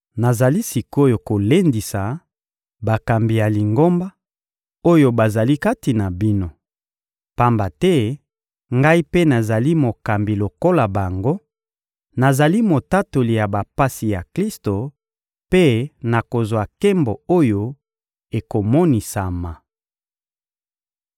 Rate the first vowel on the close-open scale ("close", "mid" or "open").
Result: open